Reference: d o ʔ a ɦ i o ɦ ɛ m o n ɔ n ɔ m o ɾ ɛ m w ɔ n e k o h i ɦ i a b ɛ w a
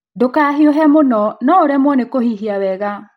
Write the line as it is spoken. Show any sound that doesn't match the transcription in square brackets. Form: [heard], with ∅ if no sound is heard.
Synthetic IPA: d o [k] a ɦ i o ɦ ɛ m o n ɔ n ɔ [∅] o ɾ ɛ m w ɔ n e k o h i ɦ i a [w] ɛ [ɣ] a

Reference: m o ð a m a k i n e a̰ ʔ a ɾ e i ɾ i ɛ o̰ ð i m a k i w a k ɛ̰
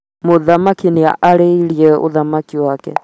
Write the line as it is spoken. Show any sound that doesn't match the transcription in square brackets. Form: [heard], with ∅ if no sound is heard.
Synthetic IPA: m o ð a m a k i n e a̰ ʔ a ɾ e i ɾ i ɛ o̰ ð [a] m a k i w a k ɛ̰

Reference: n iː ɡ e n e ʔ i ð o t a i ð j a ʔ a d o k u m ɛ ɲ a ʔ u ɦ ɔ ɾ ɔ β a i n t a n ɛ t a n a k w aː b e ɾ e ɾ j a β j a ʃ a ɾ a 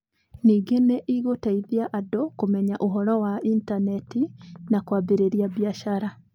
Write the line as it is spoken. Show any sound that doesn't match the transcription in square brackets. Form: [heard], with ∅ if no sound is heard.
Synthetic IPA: n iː ɡ e n e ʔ i [ɣ] o t a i ð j a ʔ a d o k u m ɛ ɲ a ʔ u ɦ ɔ ɾ ɔ [w] a i n t a n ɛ t [i] n a k w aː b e ɾ e ɾ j a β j a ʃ a ɾ a

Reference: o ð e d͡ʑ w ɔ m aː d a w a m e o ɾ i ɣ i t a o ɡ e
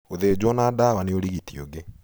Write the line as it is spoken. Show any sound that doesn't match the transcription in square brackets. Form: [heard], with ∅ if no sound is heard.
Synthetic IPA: o ð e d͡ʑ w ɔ [n] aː d a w a [n] e o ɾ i ɣ i t [i] o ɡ e

